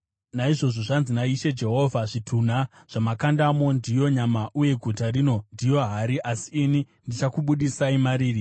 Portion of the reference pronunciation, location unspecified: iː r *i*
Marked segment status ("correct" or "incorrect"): correct